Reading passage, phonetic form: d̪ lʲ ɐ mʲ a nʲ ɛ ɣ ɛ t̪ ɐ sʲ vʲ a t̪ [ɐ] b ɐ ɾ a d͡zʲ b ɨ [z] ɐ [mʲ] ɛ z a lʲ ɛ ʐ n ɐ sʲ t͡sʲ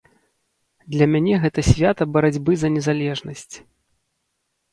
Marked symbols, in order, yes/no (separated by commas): yes, yes, no